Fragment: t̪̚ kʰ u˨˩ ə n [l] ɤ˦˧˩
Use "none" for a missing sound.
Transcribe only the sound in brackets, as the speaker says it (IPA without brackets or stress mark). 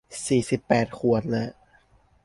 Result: l